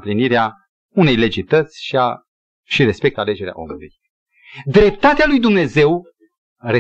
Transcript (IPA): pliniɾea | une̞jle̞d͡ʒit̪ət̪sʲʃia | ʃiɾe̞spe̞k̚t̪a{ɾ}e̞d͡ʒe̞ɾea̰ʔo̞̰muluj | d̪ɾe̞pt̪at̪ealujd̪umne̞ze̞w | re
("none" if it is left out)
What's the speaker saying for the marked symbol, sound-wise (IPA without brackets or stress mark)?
l